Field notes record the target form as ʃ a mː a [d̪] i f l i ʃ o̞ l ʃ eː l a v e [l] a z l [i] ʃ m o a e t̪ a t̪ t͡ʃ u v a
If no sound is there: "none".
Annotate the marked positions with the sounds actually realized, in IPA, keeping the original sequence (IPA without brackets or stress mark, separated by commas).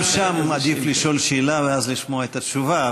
d̪, none, i